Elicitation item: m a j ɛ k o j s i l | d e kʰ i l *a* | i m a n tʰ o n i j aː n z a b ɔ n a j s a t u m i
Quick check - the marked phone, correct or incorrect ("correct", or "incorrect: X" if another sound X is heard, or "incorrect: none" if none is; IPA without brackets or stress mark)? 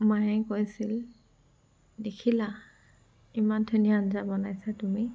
correct